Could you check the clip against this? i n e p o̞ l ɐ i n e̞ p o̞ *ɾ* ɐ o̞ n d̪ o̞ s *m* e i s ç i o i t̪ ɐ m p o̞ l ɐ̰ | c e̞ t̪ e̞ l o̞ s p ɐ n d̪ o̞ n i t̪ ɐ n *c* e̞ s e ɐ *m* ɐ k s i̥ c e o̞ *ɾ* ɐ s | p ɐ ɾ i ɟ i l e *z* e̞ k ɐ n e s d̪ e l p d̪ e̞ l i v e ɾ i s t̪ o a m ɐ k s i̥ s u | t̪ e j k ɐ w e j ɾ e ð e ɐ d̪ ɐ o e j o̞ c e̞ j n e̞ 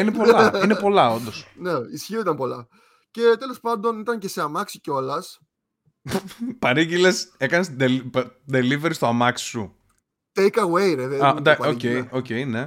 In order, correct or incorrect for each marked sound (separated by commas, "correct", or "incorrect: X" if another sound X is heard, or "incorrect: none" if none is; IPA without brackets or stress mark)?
incorrect: l, incorrect: n, correct, correct, incorrect: l, incorrect: s